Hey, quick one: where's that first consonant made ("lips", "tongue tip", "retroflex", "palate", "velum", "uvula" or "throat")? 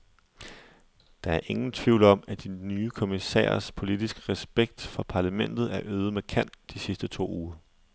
tongue tip